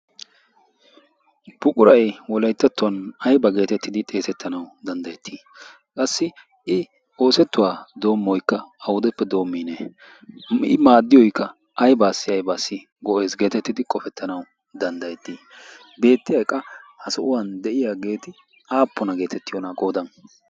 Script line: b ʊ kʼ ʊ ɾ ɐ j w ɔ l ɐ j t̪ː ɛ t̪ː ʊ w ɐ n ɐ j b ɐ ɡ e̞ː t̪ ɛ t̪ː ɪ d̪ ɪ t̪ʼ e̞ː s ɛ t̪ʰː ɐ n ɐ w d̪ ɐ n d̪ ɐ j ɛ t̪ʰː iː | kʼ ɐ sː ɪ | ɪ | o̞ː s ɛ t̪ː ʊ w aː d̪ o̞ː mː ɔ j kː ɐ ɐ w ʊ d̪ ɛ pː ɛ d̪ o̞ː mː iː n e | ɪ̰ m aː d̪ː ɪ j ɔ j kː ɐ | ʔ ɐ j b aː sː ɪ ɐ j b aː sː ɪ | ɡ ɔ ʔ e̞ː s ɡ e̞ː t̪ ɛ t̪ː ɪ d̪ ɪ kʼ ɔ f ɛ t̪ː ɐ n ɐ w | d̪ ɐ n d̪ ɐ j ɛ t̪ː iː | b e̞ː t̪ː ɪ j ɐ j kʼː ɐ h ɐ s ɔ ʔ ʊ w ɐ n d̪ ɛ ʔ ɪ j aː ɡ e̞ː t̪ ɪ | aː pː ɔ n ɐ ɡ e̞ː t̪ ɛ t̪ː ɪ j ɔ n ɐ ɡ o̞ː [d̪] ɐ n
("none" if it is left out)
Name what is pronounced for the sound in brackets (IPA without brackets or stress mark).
d̪